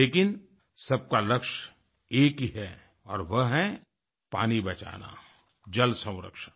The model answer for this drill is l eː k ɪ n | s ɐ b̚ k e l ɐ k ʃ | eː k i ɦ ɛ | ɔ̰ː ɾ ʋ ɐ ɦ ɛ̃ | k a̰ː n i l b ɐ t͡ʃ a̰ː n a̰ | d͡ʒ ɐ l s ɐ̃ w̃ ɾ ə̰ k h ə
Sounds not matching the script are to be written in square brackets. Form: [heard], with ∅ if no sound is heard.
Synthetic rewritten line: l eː k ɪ n | s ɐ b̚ k [a] l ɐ k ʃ | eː k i ɦ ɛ | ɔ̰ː ɾ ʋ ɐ ɦ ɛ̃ | [p] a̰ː n i [∅] b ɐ t͡ʃ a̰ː n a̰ | d͡ʒ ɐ l s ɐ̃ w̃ ɾ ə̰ k [ʃ] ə